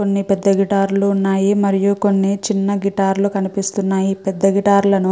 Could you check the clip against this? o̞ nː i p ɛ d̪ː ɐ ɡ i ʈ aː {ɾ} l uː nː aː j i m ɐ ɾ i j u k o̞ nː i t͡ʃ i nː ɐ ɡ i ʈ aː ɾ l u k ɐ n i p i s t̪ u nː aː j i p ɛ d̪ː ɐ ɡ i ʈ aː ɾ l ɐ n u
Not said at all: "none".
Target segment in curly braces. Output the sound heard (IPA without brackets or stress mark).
ɾ